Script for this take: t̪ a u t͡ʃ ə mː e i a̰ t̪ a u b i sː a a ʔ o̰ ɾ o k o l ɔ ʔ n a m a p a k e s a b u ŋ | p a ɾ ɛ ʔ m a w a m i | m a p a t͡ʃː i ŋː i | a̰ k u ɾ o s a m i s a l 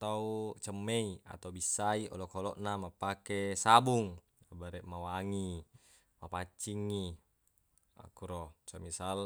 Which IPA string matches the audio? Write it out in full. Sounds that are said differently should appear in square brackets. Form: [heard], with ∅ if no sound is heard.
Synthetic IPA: t̪ a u t͡ʃ ə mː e i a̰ t̪ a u b i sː a [i] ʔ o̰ [l] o k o l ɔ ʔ n a m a p a k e s a b u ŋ | [b] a ɾ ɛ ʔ m a w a [ŋ] i | m a p a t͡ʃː i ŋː i | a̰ k u ɾ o s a m i s a l